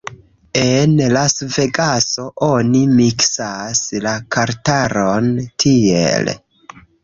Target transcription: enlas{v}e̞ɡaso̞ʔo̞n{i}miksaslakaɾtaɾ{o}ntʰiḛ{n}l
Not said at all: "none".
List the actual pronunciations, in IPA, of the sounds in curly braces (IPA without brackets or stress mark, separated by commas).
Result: v, i, o, none